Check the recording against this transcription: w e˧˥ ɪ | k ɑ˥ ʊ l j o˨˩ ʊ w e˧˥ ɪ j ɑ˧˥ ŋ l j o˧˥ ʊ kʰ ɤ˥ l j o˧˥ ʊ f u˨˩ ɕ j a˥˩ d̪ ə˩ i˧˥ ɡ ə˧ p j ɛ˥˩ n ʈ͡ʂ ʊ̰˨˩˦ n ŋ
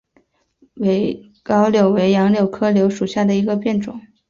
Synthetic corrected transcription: w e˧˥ ɪ | k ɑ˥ ʊ l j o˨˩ ʊ w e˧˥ ɪ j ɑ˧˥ ŋ l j o˨˩ ʊ kʰ ɤ˥ l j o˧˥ ʊ ʂ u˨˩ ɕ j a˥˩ d̪ ə˩ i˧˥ ɡ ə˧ p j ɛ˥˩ n ʈ͡ʂ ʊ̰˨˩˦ ŋ